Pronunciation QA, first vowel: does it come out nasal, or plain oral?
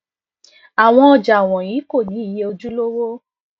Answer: oral